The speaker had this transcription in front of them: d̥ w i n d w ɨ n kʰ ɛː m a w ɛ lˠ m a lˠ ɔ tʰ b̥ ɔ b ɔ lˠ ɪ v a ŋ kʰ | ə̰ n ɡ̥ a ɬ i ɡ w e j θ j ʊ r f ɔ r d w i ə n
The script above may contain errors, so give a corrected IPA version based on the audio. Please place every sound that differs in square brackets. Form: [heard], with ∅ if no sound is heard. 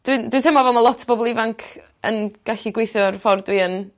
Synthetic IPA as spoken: d̥ w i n d w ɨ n [tʰ] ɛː m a [v] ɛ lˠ m a lˠ ɔ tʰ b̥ ɔ b ɔ lˠ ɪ v a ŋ kʰ | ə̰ n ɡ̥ a ɬ i ɡ w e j θ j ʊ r f ɔ r d w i ə n